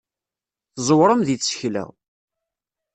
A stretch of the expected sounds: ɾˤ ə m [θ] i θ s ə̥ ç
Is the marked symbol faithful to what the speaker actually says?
no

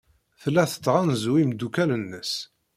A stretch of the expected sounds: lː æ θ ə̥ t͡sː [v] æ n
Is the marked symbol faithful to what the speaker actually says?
no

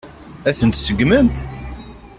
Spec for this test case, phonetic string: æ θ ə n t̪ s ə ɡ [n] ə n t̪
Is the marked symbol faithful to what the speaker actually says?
no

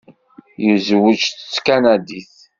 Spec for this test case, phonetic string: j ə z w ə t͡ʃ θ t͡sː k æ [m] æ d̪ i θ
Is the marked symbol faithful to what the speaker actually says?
no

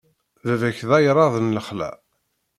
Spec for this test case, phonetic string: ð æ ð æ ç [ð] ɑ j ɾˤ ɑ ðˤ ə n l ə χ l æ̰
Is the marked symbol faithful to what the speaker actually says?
yes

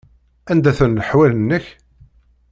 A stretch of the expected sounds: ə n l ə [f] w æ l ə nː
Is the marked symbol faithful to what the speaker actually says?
no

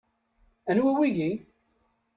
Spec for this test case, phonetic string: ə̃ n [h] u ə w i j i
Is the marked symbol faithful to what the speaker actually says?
yes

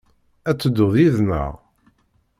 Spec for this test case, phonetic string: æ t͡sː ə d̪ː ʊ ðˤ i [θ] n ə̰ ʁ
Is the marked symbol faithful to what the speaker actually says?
no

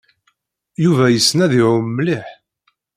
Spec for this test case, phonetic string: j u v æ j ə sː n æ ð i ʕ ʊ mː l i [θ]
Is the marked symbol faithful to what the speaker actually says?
no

